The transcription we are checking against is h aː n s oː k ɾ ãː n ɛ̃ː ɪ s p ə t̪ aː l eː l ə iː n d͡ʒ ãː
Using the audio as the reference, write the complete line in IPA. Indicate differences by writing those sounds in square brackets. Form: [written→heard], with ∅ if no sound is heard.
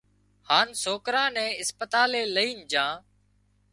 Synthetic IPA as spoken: h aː n s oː k ɾ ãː n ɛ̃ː ɪ s p ə t̪ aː l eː l ə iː n d͡ʒ ãː